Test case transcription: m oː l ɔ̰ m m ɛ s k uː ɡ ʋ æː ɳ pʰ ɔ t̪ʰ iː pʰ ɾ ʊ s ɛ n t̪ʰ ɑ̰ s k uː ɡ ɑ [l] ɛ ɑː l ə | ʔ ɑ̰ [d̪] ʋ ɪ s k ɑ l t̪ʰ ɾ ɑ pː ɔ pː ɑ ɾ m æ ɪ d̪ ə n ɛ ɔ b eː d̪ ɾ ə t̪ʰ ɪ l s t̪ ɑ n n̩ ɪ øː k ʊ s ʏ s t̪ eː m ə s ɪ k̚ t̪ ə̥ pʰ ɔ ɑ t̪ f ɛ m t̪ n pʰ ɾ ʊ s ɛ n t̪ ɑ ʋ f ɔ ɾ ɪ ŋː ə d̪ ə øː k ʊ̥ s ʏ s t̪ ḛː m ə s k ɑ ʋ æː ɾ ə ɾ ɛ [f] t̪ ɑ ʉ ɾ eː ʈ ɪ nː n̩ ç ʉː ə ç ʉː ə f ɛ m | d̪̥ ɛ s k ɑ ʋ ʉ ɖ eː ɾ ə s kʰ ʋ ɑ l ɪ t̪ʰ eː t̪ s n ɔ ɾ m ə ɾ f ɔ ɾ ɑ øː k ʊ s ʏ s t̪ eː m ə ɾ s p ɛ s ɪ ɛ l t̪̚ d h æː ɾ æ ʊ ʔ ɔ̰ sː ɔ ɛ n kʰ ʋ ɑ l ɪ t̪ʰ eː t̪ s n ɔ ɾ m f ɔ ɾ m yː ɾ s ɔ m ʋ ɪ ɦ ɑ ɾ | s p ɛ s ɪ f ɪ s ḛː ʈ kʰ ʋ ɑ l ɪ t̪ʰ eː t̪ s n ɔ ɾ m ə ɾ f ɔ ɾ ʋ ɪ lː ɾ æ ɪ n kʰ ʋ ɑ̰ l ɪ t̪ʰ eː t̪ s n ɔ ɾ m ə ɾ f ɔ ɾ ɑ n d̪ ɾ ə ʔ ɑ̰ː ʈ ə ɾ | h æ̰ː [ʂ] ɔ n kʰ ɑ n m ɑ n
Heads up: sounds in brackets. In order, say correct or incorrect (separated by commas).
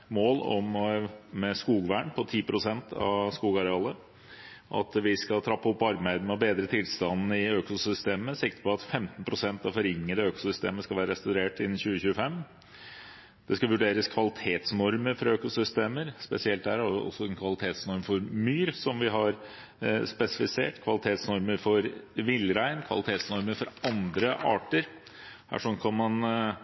incorrect, incorrect, incorrect, correct